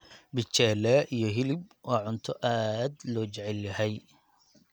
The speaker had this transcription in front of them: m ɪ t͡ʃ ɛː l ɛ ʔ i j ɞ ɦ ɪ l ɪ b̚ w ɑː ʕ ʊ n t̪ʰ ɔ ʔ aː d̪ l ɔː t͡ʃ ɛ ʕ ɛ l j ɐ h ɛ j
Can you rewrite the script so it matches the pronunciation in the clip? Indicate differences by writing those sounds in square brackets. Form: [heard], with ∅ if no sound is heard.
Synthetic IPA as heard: [b] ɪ t͡ʃ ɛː l ɛ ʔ i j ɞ ɦ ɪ l ɪ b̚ w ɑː ʕ ʊ n t̪ʰ ɔ ʔ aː d̪ l ɔː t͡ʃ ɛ ʕ ɛ l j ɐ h ɛ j